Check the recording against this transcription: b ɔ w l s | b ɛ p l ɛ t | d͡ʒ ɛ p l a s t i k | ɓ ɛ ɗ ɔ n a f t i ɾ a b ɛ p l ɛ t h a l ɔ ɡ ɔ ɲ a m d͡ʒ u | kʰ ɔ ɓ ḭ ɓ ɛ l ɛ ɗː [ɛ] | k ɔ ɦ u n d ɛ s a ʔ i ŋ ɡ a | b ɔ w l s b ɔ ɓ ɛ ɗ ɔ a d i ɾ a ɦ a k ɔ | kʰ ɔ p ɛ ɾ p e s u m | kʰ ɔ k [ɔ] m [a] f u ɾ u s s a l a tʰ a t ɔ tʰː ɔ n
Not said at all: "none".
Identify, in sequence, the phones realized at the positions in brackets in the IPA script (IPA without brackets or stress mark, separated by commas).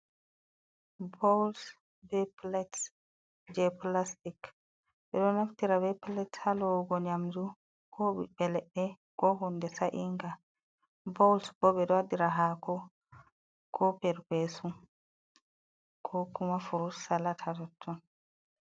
ɛ, u, a